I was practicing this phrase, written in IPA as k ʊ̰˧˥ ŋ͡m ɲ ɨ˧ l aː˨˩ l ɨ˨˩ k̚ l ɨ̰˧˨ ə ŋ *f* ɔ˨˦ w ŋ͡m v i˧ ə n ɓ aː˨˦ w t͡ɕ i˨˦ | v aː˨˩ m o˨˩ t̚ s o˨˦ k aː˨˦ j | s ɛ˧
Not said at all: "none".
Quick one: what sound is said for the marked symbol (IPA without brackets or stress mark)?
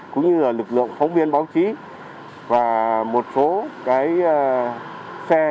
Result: f